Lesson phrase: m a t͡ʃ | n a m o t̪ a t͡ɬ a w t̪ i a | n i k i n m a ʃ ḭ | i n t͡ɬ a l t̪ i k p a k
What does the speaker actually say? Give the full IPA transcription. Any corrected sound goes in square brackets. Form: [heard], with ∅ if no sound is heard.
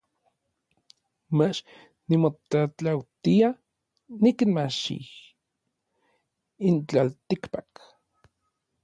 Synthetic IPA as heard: m a t͡ʃ | n [i] m o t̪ a t͡ɬ a w t̪ i a | n i k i n m a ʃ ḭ | i n t͡ɬ a l t̪ i k p a k